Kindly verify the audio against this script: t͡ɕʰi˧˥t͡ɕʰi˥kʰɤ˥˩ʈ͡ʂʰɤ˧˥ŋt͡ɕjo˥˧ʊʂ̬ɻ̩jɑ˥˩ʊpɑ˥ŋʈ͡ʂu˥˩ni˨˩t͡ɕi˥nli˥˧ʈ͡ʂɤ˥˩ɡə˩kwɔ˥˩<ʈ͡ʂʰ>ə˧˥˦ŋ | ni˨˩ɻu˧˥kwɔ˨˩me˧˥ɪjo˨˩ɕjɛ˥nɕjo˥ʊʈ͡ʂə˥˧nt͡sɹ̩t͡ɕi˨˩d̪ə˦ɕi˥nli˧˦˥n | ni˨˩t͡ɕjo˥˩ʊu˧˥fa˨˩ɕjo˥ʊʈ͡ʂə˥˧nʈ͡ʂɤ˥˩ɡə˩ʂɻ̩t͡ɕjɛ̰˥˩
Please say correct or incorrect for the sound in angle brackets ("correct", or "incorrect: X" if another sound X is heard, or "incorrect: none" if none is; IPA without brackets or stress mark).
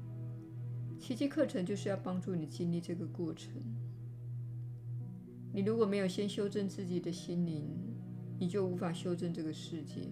correct